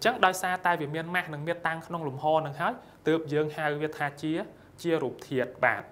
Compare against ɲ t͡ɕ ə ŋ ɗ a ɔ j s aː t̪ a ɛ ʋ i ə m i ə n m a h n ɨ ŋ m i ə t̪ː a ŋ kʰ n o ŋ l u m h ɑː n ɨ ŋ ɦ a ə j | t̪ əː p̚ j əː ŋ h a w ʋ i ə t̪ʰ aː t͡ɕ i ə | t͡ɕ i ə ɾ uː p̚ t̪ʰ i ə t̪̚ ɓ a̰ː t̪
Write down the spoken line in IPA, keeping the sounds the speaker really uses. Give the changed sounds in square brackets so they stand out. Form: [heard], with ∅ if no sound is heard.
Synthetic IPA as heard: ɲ t͡ɕ ə ŋ ɗ a ɔ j s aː t̪ a ɛ ʋ i ə m i ə n m a h n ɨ ŋ m i ə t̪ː a ŋ kʰ n o ŋ l u m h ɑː n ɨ ŋ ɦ a ə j | t̪ əː p̚ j əː ŋ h a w ʋ i ə t̪ʰ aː t͡ɕ i ə | t͡ɕ i ə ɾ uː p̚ t̪ʰ i ə t̪̚ ɓ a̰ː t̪